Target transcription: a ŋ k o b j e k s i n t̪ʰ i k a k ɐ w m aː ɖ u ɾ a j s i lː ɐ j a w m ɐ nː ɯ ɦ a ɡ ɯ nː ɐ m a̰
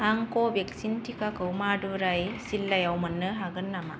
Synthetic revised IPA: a ŋ k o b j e k s i n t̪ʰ i k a k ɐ w m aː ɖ u ɾ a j s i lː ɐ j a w m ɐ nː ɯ ɦ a ɡ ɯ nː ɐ m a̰